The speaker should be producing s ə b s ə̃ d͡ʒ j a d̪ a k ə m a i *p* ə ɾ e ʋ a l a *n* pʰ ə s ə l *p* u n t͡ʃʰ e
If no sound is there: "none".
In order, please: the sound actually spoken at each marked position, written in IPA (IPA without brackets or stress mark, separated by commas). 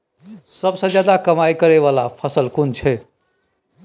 k, none, k